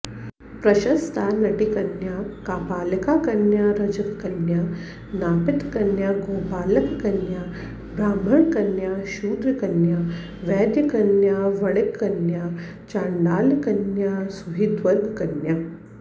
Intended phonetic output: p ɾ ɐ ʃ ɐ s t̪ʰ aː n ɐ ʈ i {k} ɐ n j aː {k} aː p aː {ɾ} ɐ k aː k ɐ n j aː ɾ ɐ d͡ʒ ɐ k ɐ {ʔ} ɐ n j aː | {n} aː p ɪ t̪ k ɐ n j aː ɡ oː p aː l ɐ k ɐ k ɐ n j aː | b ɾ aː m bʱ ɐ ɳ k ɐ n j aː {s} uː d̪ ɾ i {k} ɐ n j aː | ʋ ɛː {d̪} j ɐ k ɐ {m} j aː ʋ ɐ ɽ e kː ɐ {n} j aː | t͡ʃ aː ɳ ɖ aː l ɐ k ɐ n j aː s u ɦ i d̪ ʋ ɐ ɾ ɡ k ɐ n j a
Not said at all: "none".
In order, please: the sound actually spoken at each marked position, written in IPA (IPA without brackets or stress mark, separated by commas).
k, k, l, k, n, ʃ, k, d̪, n, n